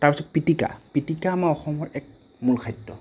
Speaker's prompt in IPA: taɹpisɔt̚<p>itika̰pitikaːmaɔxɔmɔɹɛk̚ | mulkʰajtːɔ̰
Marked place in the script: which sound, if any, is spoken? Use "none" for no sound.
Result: p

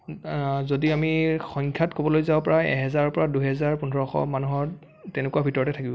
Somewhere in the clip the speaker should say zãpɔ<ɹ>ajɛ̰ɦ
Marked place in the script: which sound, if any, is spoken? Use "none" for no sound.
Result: ɹ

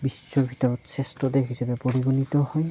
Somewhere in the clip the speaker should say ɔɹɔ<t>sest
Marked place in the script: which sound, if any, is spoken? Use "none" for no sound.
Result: t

